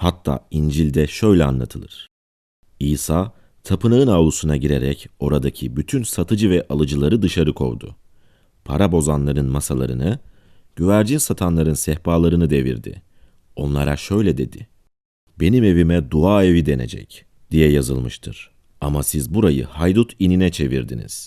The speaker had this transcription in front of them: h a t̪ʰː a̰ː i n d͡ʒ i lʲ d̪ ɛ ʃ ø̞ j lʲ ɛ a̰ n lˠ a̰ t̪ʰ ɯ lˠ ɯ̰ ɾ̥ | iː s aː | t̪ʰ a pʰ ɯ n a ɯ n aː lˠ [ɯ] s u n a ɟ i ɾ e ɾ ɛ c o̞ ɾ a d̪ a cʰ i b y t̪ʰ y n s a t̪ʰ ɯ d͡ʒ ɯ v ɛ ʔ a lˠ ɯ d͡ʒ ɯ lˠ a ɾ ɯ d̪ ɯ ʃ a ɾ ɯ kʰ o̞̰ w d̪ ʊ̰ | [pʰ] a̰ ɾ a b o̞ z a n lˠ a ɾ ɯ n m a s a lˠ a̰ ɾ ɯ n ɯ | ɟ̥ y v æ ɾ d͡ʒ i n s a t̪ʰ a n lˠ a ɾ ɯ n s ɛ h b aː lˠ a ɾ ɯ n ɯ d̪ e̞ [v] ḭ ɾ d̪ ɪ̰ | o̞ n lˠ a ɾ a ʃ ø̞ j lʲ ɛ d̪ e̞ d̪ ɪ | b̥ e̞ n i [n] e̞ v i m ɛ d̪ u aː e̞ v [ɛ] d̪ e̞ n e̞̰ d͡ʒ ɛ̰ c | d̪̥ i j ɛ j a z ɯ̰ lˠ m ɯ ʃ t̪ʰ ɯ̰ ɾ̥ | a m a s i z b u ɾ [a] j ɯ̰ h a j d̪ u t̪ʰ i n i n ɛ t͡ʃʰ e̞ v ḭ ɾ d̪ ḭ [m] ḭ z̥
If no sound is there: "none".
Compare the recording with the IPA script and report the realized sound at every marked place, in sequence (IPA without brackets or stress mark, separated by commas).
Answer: u, pʰ, v, m, i, a, n